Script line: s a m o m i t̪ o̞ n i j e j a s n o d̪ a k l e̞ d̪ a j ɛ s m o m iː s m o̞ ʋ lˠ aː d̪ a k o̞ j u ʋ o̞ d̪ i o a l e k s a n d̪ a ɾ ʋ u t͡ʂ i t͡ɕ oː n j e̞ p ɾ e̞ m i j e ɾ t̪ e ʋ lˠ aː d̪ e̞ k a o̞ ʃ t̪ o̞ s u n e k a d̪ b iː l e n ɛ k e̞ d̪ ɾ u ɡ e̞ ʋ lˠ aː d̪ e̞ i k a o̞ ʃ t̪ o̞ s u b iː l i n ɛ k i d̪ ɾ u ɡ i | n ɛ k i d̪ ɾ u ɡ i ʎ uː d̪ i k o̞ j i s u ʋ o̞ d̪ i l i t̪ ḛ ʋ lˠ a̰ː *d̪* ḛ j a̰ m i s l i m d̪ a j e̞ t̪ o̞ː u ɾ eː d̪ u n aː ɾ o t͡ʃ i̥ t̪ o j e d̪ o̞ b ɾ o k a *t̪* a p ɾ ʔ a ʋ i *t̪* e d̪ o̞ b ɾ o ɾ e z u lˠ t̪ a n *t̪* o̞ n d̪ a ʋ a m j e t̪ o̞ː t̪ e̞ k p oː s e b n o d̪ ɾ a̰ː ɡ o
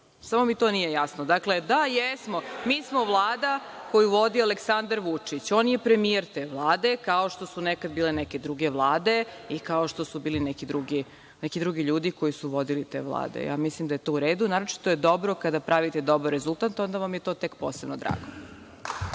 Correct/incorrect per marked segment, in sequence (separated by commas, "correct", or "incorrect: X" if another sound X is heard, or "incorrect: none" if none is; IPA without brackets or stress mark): correct, incorrect: d̪, correct, correct